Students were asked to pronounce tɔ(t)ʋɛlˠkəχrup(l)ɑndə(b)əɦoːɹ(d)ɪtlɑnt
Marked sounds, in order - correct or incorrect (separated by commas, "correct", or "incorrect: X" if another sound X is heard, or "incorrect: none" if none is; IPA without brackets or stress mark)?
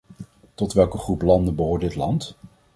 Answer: correct, correct, correct, correct